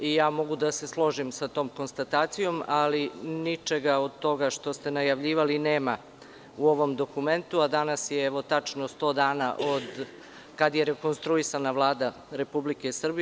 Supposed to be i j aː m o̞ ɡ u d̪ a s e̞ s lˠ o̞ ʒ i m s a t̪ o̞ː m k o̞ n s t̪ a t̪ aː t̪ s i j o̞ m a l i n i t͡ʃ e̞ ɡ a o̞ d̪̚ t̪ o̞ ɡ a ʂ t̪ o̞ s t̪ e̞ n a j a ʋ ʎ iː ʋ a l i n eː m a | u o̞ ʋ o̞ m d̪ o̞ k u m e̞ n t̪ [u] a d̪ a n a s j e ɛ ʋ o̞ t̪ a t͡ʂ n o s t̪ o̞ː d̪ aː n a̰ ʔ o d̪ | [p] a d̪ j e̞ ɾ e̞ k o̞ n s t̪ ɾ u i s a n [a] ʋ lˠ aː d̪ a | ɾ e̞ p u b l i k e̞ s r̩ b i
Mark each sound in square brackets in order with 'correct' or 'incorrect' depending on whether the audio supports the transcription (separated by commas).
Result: correct, incorrect, correct